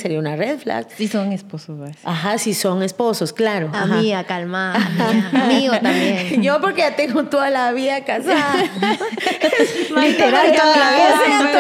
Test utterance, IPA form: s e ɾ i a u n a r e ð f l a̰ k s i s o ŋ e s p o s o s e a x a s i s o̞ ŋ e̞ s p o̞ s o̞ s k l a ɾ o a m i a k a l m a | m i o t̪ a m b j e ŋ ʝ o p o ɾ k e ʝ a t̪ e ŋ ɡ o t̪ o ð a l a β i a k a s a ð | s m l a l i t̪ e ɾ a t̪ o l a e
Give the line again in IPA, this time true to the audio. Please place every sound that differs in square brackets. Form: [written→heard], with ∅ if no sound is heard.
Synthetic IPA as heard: s e ɾ i a u n a r e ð f l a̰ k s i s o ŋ e s p o s o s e a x a s i s o̞ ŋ e̞ s p o̞ s o̞ s k l a ɾ o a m i a k a l m a | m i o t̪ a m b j e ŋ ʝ o p o ɾ k e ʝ a t̪ e ŋ ɡ o t̪ o ð a l a β i a k a s a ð | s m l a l i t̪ e ɾ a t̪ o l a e